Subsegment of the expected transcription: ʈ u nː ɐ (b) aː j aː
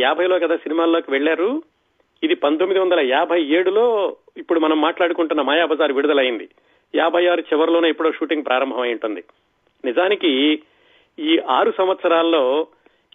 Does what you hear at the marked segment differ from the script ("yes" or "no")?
yes